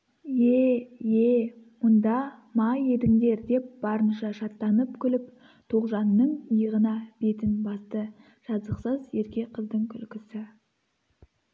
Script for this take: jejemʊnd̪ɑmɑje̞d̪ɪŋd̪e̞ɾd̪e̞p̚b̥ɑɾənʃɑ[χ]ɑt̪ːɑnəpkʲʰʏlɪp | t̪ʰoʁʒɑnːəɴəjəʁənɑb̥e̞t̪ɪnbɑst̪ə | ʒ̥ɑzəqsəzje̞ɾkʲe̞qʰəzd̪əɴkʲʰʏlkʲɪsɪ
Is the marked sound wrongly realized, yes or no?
yes